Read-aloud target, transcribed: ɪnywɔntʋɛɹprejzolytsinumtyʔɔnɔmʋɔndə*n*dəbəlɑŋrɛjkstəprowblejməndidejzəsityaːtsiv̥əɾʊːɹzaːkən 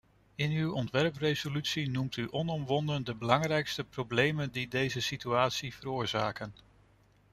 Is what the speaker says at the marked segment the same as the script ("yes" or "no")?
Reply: yes